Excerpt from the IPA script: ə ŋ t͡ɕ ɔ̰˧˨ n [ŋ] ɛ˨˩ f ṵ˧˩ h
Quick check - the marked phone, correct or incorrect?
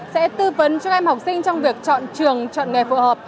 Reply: correct